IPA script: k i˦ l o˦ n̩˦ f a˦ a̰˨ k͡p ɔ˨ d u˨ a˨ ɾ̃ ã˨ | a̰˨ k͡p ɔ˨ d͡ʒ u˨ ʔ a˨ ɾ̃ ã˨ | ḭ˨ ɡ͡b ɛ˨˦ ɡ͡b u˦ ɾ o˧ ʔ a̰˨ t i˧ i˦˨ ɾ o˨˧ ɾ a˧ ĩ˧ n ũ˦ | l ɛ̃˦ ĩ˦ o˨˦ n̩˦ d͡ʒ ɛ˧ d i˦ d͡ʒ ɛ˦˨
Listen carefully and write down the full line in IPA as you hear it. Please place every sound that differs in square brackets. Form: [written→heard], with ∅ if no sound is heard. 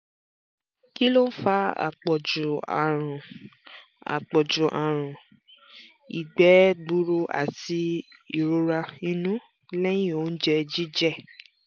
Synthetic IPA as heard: k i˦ l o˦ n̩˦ f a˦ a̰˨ k͡p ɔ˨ [d→d͡ʒ] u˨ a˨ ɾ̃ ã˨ | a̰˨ k͡p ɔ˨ d͡ʒ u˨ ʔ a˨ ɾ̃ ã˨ | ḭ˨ ɡ͡b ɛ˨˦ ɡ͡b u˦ ɾ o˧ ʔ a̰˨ t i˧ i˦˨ ɾ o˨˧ ɾ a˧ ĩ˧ n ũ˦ | l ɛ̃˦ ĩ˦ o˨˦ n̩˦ d͡ʒ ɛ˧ [d→d͡ʒ] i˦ d͡ʒ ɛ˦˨